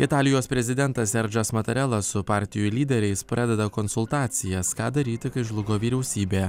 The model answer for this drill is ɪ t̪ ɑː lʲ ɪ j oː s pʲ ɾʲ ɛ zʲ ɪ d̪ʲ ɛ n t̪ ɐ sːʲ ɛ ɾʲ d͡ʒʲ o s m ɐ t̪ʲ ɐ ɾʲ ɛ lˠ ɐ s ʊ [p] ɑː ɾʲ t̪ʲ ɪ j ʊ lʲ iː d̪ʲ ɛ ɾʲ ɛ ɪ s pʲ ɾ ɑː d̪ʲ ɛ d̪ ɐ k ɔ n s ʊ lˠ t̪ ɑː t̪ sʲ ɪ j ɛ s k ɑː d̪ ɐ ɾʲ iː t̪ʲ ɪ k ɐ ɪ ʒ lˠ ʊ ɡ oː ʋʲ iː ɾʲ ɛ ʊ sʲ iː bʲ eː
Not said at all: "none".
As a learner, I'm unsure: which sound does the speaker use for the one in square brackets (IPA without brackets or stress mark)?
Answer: p